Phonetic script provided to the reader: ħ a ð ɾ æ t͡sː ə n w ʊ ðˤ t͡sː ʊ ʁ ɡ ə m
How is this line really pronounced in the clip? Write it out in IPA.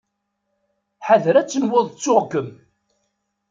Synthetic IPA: ħ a ð ɾ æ t͡sː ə n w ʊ ðˤ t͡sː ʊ ʁ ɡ ə m